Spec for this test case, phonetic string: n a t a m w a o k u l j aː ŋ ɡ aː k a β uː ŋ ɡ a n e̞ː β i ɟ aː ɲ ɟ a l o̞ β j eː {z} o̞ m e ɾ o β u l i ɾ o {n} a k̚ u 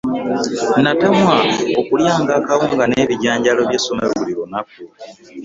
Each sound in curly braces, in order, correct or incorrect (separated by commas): incorrect, correct